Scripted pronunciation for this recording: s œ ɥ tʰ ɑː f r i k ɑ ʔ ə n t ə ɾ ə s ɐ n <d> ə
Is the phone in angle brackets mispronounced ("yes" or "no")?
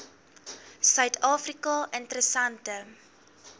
yes